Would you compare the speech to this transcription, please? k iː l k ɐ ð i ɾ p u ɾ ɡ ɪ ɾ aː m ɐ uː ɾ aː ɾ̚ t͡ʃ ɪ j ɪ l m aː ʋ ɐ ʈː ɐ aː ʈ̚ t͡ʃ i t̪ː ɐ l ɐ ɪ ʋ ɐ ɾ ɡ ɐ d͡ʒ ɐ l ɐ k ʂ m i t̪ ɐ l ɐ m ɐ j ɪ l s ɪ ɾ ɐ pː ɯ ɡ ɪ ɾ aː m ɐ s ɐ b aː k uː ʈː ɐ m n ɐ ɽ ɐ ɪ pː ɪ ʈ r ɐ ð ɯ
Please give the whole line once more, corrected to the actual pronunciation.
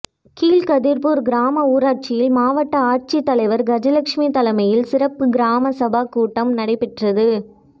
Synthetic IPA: k iː l k ɐ ð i ɾ p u ɾ ɡ ɪ ɾ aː m ɐ uː ɾ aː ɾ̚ t͡ʃ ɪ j ɪ l m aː ʋ ɐ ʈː ɐ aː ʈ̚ t͡ʃ i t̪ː ɐ l ɐ ɪ ʋ ɐ ɾ ɡ ɐ d͡ʒ ɐ l ɐ k ʂ m i t̪ ɐ l ɐ m ɐ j ɪ l s ɪ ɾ ɐ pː ɯ ɡ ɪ ɾ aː m ɐ s ɐ b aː k uː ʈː ɐ m n ɐ ɽ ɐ ɪ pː ɪ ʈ r ɐ ð ɯ